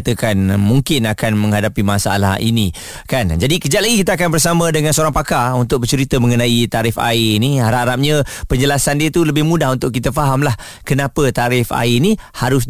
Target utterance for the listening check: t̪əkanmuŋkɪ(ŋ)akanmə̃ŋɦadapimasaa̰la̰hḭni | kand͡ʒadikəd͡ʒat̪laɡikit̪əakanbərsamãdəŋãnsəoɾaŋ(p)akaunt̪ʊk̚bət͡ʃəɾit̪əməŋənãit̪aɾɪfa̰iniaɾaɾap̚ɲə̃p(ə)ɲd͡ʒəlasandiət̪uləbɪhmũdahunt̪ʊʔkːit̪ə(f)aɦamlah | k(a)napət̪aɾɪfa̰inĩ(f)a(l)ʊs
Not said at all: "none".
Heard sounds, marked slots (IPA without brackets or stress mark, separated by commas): n, p, ə, f, ə, h, ɾ